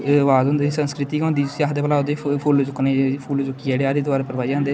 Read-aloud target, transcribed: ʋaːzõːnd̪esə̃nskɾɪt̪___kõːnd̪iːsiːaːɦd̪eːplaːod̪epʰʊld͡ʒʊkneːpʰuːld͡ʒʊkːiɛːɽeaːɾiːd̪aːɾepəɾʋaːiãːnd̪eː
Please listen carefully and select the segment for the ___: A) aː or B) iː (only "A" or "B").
B